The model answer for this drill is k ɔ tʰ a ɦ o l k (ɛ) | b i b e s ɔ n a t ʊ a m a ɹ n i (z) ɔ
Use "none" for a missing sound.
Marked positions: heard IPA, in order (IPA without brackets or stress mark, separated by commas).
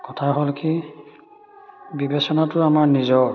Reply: i, z